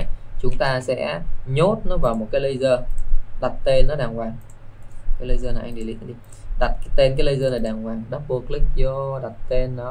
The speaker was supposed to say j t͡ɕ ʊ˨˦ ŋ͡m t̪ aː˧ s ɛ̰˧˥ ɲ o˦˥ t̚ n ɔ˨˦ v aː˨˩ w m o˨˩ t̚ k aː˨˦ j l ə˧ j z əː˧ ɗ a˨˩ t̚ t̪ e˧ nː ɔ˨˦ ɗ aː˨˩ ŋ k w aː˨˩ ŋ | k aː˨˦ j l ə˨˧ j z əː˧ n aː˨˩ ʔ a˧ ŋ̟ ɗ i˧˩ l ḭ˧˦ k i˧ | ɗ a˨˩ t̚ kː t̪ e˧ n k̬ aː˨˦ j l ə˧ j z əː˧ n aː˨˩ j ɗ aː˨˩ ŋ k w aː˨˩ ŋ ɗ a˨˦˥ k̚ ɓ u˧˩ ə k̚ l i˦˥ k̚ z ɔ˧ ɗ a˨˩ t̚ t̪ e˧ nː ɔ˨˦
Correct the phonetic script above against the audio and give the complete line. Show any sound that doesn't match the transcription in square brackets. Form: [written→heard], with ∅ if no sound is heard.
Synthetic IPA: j t͡ɕ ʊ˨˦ ŋ͡m t̪ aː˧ s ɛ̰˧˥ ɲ o˦˥ t̚ n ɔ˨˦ v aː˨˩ w m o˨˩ t̚ k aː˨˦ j l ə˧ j z əː˧ ɗ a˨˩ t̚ t̪ e˧ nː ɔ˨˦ ɗ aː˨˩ ŋ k w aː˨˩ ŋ | k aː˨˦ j l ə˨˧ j z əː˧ n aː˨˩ ʔ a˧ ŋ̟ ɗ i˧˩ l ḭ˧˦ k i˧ | ɗ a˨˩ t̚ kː t̪ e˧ n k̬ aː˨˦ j l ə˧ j z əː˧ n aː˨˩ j ɗ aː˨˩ ŋ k w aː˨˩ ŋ ɗ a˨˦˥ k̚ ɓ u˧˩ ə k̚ l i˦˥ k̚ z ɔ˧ ɗ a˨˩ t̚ t̪ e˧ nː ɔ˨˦